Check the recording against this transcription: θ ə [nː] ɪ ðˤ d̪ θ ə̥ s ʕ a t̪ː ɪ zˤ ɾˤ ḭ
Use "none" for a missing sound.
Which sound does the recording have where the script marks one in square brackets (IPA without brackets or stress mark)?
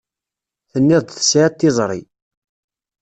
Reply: nː